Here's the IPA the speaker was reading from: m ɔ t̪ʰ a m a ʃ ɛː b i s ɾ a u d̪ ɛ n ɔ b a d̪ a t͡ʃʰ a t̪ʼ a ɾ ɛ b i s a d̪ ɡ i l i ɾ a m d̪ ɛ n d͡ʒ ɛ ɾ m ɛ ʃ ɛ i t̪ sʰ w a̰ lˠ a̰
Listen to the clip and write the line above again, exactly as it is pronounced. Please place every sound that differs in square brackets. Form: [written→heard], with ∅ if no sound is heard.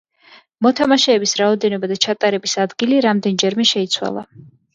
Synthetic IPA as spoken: m ɔ t̪ʰ a m a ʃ ɛː b i s ɾ a [u→ɔ] d̪ ɛ n ɔ b a d̪ a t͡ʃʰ a t̪ʼ a ɾ ɛ b i s a d̪ ɡ i l i ɾ a m d̪ ɛ n d͡ʒ ɛ ɾ m ɛ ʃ ɛ i t̪ sʰ w a̰ lˠ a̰